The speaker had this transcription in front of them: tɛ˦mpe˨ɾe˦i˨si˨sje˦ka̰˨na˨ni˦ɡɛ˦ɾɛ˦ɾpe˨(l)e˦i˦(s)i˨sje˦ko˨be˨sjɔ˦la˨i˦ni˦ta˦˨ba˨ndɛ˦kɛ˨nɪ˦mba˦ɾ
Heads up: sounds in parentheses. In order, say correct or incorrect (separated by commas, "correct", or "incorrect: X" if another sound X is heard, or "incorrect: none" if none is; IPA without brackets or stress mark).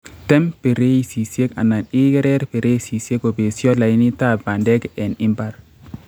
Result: incorrect: ɾ, correct